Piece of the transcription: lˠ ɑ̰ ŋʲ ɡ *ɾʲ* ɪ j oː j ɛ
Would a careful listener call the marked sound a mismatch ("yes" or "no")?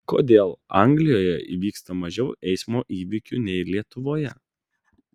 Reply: yes